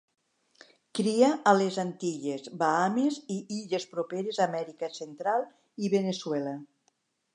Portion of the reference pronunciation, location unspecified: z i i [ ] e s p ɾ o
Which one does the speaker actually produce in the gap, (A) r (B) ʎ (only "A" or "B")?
B